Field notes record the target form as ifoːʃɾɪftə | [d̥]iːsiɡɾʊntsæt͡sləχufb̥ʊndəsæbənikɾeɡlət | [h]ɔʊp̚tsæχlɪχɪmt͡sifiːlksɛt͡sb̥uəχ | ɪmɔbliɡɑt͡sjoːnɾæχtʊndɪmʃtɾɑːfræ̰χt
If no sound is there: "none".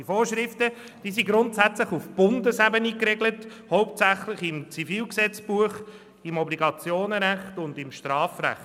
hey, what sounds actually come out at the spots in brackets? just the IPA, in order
d̥, h

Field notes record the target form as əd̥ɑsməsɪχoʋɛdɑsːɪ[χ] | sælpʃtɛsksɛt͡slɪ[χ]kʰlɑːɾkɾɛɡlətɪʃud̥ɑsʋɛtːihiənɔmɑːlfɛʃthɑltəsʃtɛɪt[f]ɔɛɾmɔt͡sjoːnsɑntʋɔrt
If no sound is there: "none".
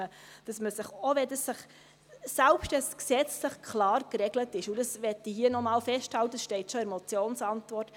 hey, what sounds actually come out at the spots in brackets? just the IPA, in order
χ, χ, ʃ

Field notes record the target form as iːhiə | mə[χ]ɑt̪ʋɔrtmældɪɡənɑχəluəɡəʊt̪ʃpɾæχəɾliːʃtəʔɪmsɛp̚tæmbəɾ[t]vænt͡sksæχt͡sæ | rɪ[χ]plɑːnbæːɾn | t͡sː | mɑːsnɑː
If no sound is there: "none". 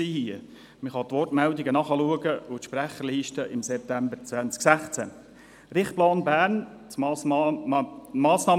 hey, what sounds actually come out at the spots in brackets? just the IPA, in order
χ, t͡s, χ

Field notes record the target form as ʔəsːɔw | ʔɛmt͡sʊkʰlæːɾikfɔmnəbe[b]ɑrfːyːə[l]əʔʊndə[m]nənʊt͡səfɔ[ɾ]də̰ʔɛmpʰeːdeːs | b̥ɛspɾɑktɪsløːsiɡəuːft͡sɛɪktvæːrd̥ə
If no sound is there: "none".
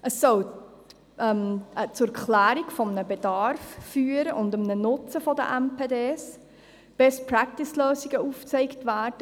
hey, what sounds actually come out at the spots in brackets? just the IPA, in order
d, ɾ, m, none

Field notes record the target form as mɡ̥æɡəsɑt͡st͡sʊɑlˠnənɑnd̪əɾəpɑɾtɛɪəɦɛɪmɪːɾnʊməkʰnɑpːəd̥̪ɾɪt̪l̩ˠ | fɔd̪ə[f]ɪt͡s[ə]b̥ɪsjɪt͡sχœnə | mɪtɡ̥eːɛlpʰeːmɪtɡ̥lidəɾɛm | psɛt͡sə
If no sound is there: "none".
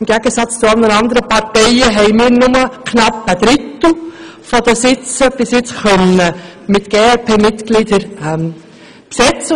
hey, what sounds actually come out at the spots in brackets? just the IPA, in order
s, ə

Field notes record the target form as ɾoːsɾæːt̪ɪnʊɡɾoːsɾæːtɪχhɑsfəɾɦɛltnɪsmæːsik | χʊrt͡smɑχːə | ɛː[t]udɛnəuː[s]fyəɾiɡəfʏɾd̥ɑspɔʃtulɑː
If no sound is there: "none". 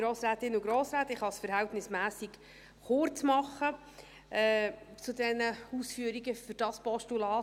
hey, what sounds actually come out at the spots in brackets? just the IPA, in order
t͡s, s

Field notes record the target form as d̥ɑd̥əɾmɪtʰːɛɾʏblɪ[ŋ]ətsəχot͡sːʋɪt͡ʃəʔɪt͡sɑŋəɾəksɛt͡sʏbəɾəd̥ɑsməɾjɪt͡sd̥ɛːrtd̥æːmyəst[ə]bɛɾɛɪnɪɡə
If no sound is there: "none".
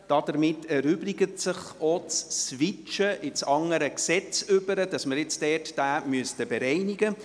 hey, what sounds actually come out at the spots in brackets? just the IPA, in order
ɡ, ə

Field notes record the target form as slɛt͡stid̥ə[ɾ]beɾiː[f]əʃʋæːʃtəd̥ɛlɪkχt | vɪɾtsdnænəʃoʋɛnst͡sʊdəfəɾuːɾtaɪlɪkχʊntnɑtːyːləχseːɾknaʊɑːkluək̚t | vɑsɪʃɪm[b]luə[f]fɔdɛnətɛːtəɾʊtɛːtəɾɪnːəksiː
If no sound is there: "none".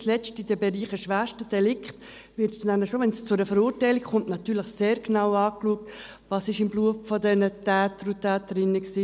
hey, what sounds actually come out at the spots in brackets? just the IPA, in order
none, χ, b, f

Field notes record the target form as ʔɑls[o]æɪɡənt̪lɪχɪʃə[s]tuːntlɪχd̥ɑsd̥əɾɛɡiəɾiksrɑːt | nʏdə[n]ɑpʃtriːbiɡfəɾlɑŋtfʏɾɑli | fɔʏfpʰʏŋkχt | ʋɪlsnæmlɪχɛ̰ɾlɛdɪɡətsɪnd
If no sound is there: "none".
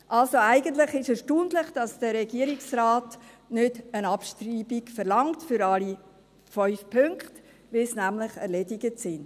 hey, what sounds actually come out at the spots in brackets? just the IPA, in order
o, ʃ, n

